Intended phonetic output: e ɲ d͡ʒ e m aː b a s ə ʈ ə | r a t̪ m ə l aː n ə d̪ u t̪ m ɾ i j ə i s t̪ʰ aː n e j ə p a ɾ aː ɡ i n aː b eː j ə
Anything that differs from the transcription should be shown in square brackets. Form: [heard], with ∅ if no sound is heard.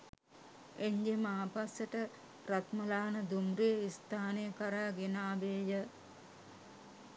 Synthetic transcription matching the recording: e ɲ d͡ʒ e m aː [p] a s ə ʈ ə | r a t̪ m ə l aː n ə d̪ u [∅] m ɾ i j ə i s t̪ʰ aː n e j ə [k] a ɾ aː ɡ [e] n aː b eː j ə